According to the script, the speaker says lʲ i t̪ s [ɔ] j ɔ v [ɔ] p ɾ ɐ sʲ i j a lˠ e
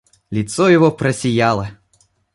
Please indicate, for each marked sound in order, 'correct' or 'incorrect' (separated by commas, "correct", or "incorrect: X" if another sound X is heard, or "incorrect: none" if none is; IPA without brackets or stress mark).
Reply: correct, correct